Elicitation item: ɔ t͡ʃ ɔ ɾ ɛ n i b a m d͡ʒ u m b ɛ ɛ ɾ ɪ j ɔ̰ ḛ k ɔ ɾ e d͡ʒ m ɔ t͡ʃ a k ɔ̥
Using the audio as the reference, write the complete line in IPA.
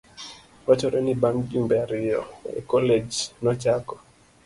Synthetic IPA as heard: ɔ t͡ʃ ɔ ɾ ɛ n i b a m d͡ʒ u m b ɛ a ɾ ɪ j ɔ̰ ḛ k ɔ l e d͡ʒ n ɔ t͡ʃ a k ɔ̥